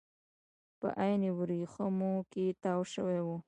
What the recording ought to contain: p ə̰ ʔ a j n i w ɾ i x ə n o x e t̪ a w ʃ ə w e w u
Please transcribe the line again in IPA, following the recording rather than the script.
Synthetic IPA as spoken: p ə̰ ʔ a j n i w ɾ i x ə m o k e t̪ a w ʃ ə w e w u

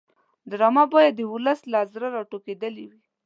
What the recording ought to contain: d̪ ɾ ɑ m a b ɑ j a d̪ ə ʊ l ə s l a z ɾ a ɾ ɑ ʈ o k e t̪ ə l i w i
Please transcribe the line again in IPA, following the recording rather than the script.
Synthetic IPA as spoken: d̪ ɾ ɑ m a b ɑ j a d̪ ə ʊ l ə s l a z ɾ a ɾ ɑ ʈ o k e d̪ ə l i w i

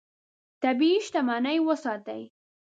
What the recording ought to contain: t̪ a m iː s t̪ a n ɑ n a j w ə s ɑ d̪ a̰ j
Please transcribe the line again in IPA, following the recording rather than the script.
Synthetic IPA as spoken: t̪ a b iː ʃ t̪ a m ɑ n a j w ə s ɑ t̪ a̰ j

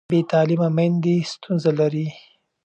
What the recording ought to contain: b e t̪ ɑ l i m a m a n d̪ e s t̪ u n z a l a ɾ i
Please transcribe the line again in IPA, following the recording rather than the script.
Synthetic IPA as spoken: b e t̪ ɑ l i m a m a n d̪ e s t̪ u n z a l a ɾ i

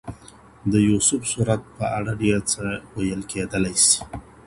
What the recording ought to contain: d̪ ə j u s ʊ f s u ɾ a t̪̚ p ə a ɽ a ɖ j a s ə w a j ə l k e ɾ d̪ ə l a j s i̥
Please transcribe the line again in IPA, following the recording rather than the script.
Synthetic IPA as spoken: d̪ ə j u s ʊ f s u ɾ a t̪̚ p ə a ɽ a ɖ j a t͡s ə w a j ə l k e d̪ ə l a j s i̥

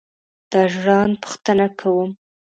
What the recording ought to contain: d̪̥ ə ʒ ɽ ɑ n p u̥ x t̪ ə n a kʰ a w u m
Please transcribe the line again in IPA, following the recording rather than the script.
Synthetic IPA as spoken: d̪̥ ɑ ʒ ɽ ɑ n p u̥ x t̪ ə n a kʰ a w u m

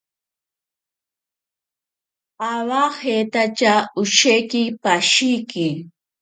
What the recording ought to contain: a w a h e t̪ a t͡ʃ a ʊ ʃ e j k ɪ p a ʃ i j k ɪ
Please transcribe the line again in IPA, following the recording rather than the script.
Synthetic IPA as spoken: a w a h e t̪ a t͡ʃ a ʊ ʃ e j k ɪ p a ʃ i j k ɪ

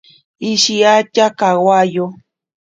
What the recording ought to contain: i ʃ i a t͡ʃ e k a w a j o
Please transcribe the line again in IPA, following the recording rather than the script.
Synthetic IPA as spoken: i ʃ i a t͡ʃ a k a w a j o

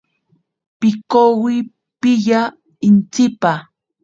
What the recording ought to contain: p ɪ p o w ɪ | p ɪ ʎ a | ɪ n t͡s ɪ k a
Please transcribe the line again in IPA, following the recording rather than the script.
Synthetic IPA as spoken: p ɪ k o w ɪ | p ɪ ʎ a | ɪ n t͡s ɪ p a

